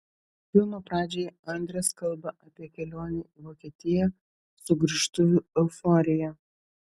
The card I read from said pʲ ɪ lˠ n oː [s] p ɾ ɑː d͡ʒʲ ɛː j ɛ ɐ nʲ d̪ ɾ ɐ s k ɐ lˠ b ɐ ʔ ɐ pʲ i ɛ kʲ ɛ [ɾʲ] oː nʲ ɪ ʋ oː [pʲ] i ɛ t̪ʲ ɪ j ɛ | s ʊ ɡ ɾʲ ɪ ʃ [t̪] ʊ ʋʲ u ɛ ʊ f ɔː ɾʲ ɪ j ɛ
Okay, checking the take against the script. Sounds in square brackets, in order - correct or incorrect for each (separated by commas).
incorrect, incorrect, incorrect, correct